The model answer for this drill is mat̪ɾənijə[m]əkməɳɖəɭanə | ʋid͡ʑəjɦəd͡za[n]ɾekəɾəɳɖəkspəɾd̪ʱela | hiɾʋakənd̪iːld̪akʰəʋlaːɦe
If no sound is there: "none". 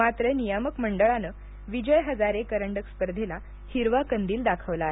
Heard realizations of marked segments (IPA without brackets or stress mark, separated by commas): m, none